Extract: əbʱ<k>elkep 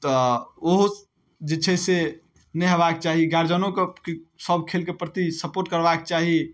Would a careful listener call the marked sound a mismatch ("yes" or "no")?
yes